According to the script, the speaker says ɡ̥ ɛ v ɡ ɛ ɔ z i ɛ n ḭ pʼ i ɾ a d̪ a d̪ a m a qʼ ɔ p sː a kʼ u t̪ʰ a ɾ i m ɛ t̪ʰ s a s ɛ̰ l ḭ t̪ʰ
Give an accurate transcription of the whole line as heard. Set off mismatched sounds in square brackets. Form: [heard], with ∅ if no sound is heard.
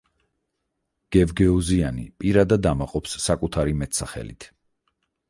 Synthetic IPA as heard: ɡ̥ ɛ v ɡ ɛ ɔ z i [a] n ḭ pʼ i ɾ a d̪ a d̪ a m a qʼ ɔ p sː a kʼ u t̪ʰ a ɾ i m ɛ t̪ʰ s a [χ] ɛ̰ l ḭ t̪ʰ